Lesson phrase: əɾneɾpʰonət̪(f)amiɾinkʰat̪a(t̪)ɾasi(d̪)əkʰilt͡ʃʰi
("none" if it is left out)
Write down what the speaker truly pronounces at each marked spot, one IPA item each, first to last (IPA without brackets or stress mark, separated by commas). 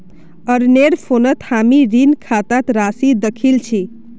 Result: h, t̪, d̪